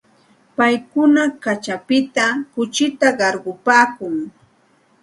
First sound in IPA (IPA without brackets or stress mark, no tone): p